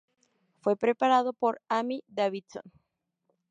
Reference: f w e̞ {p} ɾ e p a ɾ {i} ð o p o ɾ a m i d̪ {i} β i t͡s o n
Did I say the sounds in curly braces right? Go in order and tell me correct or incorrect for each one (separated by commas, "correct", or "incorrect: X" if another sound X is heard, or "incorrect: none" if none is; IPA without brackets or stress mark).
correct, incorrect: a, incorrect: a